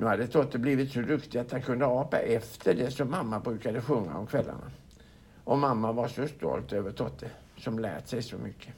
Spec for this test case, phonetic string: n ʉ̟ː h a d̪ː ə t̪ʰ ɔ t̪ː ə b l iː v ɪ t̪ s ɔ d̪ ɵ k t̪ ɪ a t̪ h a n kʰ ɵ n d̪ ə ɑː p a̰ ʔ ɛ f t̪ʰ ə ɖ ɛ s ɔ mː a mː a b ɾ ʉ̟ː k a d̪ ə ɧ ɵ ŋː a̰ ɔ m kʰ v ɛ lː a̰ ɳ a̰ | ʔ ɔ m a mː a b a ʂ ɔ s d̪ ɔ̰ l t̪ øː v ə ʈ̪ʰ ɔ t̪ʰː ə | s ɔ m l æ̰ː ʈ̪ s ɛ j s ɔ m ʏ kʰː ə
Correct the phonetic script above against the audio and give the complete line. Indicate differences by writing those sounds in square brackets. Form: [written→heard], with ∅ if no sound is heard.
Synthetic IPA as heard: n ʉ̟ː h a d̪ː ə t̪ʰ ɔ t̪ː ə b l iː v ɪ t̪ s ɔ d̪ ɵ k t̪ ɪ a t̪ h a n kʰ ɵ n d̪ ə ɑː p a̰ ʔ ɛ f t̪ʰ ə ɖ ɛ s ɔ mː a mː a b ɾ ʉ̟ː k a d̪ ə ɧ ɵ ŋː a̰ ɔ m kʰ v ɛ lː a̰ ɳ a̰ | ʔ ɔ m a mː a [b→v] a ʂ ɔ s [d̪→t̪] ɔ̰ l t̪ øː v ə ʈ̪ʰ ɔ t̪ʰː ə | s ɔ m l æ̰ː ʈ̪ s ɛ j s ɔ m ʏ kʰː ə